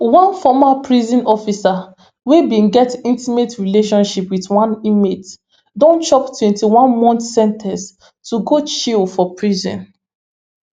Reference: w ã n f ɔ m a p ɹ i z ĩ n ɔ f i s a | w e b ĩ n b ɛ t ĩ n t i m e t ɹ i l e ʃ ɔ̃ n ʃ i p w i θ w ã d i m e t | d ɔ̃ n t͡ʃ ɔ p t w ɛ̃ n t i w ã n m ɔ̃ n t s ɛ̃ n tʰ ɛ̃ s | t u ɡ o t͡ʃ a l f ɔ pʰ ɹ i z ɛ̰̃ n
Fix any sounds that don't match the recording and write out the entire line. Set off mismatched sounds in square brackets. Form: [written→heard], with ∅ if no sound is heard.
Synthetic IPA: w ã n f ɔ m a p ɹ i z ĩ n ɔ f i s a | w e b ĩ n [b→ɡ] ɛ t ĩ n t i m e t ɹ i l e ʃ ɔ̃ n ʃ i p w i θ w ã [d→n] i m e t | d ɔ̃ n t͡ʃ ɔ p t w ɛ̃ n t i w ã n m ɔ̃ n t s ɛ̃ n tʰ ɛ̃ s | t u ɡ o t͡ʃ [a→i] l f ɔ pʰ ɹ i z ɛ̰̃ n